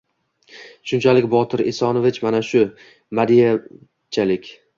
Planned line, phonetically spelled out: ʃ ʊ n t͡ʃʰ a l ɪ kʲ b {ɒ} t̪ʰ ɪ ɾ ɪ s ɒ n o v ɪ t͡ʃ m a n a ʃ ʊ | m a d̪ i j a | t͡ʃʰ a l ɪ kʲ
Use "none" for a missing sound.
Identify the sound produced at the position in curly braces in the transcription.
ɒ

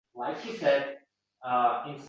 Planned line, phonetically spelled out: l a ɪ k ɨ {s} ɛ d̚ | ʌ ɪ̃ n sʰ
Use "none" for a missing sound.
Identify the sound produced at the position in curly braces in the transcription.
s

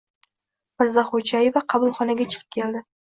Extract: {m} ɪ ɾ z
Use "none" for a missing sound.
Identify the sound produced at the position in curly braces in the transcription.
m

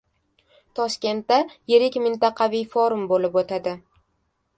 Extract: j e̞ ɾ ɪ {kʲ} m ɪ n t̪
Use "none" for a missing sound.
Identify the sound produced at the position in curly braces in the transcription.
kʲ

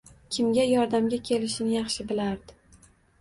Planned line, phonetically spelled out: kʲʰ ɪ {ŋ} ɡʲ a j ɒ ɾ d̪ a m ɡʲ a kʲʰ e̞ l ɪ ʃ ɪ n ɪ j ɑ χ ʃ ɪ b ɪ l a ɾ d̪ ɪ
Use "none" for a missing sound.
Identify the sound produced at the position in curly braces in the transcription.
m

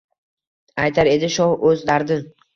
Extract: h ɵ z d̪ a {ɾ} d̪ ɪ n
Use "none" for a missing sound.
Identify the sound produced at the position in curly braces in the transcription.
ɾ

